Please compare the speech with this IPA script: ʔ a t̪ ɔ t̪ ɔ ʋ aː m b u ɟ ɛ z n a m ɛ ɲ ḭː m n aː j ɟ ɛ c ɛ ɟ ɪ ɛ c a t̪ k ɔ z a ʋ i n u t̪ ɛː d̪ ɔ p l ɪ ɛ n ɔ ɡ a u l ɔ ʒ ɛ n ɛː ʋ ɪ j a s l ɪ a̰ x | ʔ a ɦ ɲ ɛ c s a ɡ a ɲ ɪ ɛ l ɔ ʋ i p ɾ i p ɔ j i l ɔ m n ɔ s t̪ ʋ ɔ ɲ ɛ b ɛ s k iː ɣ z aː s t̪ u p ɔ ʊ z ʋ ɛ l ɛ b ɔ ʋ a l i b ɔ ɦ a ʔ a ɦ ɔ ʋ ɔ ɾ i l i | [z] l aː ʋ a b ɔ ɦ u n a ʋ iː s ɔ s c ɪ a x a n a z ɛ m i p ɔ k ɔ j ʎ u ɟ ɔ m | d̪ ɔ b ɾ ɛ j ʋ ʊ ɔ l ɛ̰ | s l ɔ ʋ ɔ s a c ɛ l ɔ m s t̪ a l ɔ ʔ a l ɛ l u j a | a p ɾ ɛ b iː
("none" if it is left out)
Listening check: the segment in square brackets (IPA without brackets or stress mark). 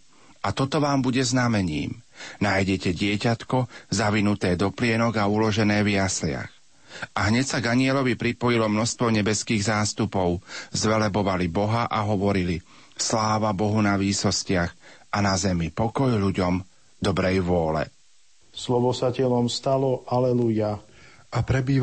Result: s